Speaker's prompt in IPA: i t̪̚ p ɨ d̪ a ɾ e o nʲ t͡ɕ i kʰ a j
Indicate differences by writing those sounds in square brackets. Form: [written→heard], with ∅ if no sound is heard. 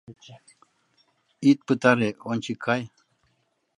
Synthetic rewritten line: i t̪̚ p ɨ [d̪→t̪] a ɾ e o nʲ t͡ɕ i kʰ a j

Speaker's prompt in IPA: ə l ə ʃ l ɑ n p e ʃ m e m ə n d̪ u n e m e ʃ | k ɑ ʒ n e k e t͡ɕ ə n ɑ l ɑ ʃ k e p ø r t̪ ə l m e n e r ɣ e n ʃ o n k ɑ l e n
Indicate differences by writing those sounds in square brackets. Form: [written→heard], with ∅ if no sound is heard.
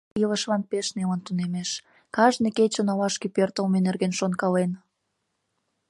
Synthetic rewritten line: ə l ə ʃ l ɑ n p e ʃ [m→n] e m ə n [d̪→t̪] u n e m e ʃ | k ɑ ʒ n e k e t͡ɕ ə n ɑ l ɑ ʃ k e p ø r t̪ ə l m e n e r ɣ e n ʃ o n k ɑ l e n

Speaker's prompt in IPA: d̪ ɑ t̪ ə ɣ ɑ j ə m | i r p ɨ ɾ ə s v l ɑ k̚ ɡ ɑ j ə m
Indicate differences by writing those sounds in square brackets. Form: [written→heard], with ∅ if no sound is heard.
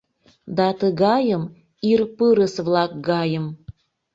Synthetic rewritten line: d̪ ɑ t̪ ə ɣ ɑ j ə m | i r p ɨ ɾ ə s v l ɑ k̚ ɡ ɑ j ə m

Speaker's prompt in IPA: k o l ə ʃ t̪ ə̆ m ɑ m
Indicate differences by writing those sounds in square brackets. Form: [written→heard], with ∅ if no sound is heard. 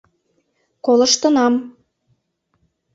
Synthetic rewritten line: k o l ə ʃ t̪ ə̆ [m→n] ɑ m

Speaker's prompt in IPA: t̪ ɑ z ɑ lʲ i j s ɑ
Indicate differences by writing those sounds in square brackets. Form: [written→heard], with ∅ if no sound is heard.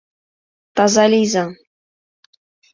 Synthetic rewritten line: t̪ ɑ z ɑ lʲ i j [s→z] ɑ

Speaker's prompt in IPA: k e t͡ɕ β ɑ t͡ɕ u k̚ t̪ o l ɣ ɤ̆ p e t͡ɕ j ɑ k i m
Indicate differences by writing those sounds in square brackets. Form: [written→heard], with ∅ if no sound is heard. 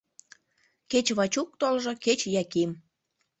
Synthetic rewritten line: k e t͡ɕ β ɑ t͡ɕ u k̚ t̪ o l [ɣ→ʒ] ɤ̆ [p→k] e t͡ɕ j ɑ k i m

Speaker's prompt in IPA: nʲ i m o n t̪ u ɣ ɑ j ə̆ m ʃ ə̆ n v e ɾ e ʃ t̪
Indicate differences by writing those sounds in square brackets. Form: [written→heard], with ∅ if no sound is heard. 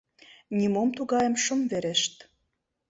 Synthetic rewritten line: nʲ i m o [n→m] t̪ u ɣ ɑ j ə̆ m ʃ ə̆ [n→m] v e ɾ e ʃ t̪

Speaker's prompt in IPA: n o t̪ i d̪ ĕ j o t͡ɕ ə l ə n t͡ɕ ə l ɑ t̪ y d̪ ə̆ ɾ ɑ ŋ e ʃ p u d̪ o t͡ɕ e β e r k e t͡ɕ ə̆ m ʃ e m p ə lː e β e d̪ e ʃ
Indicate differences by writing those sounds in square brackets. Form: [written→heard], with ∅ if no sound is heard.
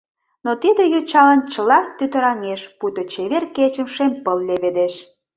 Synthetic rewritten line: n o t̪ i d̪ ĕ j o t͡ɕ [ə→ɑ] l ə n t͡ɕ ə l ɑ t̪ y [d̪→t̪] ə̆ ɾ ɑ ŋ e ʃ p u [d̪→t̪] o t͡ɕ e β e r k e t͡ɕ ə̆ m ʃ e m p ə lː e β e d̪ e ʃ

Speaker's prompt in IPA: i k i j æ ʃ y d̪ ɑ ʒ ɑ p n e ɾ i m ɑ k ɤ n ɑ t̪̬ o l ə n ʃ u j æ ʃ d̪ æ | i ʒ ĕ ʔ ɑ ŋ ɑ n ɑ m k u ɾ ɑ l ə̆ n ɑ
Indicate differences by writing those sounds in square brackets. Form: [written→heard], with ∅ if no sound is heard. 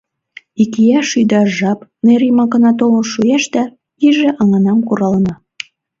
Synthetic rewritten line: i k i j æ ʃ y d̪ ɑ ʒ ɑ p n e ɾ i m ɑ k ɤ n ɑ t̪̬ o l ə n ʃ u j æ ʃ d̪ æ | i ʒ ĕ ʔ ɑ ŋ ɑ n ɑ m k u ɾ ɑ l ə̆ n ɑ

